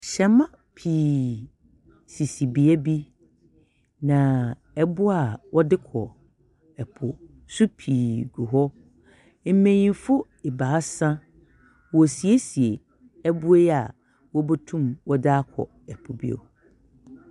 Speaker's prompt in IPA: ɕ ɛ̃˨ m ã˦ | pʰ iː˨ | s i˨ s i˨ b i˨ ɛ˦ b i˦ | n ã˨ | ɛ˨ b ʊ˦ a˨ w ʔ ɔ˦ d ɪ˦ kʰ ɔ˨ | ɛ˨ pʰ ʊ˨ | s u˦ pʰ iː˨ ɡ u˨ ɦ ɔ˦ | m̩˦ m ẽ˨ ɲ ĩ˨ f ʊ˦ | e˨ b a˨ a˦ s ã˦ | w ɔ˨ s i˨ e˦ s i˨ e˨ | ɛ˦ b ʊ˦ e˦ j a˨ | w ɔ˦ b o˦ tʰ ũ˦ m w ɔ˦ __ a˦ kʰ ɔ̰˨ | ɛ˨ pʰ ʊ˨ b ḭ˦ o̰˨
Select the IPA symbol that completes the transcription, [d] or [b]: d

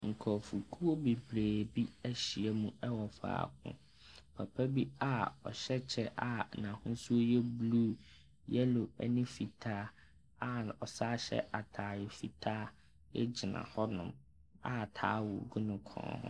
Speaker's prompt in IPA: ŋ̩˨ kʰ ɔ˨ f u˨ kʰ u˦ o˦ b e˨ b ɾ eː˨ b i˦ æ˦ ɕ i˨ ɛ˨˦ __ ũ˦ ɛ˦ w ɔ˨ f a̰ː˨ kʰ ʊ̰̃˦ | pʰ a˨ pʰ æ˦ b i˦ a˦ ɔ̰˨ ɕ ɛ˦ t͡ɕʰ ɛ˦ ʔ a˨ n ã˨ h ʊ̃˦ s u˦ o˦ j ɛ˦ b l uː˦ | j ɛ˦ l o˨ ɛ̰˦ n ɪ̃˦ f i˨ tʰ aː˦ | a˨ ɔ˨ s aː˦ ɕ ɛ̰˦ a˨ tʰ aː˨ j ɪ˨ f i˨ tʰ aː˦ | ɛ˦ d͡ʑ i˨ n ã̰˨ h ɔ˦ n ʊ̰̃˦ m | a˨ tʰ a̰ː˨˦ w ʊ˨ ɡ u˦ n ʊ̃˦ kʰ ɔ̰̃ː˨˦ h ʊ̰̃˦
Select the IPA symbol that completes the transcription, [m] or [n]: m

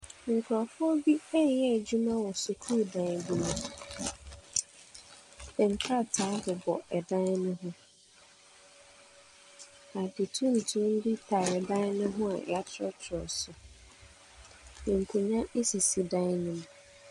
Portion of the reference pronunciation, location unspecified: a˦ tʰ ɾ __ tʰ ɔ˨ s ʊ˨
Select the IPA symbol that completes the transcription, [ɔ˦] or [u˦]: ɔ˦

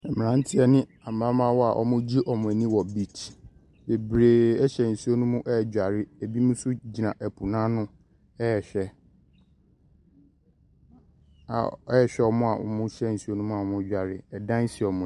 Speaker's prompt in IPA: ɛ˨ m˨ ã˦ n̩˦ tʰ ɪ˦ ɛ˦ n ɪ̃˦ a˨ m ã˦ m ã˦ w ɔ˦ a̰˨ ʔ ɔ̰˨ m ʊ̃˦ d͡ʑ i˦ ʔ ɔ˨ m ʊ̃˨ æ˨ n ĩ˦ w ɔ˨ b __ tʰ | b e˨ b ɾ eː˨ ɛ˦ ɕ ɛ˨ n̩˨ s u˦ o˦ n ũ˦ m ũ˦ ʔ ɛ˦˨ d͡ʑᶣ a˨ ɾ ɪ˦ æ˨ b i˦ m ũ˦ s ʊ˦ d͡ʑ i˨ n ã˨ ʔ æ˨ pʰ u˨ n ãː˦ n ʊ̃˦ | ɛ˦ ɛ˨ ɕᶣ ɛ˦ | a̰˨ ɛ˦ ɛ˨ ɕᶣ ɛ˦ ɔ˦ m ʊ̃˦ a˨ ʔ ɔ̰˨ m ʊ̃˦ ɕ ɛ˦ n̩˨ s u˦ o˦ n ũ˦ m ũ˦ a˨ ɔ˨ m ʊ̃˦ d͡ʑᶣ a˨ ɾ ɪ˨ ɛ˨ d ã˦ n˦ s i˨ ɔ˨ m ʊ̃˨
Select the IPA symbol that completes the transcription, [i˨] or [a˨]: i˨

